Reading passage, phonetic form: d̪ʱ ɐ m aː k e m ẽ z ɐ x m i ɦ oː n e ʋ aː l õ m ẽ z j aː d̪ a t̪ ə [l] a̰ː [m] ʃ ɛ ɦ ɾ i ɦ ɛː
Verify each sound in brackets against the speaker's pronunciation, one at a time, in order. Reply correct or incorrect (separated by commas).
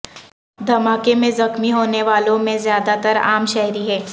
incorrect, correct